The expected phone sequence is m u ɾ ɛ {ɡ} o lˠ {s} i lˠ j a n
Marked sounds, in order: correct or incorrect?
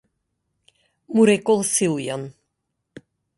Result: incorrect: k, correct

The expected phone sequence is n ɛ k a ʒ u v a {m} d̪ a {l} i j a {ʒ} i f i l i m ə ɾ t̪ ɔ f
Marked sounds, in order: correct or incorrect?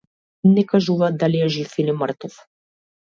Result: incorrect: none, correct, correct

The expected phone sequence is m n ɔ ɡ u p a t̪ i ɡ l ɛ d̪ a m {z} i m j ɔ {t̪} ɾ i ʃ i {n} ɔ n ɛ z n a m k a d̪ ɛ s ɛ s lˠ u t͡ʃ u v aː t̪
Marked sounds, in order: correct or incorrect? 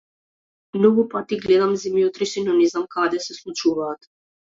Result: correct, correct, correct

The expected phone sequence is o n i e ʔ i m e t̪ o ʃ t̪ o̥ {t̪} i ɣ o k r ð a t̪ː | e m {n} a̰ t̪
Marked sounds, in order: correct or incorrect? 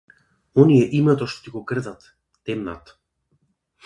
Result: correct, correct

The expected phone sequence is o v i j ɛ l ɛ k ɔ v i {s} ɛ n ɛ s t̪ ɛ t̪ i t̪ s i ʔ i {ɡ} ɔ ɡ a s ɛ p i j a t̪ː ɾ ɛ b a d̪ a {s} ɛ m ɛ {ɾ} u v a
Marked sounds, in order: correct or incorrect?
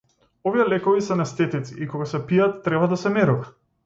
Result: correct, incorrect: k, correct, correct

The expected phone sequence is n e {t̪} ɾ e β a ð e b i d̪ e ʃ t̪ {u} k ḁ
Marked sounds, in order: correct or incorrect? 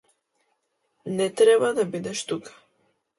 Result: correct, correct

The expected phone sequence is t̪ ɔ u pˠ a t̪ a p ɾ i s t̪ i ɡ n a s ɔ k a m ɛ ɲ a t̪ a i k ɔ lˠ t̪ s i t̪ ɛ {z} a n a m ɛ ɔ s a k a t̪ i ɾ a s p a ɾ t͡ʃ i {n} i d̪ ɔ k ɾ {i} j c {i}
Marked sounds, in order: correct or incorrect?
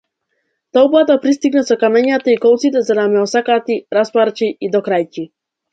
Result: correct, incorrect: none, incorrect: a, correct

